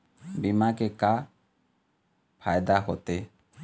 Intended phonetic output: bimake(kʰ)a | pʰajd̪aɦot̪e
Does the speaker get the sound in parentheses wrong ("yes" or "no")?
yes